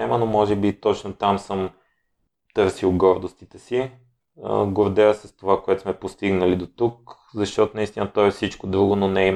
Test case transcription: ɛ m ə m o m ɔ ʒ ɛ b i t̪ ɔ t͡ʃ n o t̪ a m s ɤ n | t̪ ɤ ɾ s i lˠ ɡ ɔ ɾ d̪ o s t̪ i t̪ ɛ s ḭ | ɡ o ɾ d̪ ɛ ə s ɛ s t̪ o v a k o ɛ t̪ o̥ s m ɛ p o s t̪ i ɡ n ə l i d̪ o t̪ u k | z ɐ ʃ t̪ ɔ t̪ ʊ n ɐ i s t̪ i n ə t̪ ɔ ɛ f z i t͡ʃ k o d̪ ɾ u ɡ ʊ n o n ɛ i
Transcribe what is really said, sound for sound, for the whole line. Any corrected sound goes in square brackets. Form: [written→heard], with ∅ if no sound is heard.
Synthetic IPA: ɛ m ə [m→n] o m ɔ ʒ ɛ b i t̪ ɔ t͡ʃ n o t̪ a m s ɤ [n→m] | t̪ ɤ ɾ s i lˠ ɡ ɔ ɾ d̪ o s t̪ i t̪ ɛ s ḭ | ɡ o ɾ d̪ ɛ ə s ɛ s t̪ o v a k o ɛ t̪ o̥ s m ɛ p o s t̪ i ɡ n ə l i d̪ o t̪ u k | z ɐ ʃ t̪ ɔ t̪ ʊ n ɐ i s t̪ i n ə t̪ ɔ ɛ f [z→s] i t͡ʃ k o d̪ ɾ u ɡ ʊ n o n ɛ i